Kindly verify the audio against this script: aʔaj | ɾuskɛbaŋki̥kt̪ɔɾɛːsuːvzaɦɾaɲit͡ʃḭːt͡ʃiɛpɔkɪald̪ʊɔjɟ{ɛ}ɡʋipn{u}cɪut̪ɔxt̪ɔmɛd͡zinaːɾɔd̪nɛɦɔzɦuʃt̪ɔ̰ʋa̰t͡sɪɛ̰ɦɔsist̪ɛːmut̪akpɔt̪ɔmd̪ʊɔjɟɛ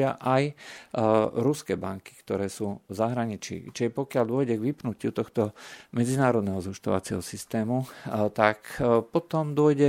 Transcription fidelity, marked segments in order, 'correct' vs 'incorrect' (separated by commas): correct, correct